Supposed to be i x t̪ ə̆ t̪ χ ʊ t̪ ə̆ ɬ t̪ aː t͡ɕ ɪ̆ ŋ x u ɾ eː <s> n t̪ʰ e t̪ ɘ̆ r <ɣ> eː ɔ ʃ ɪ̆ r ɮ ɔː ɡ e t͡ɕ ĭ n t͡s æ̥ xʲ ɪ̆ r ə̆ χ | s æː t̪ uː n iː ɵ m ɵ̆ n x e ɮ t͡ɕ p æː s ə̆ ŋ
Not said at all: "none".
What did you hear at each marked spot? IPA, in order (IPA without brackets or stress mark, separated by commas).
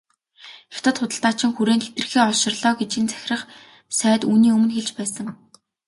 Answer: none, x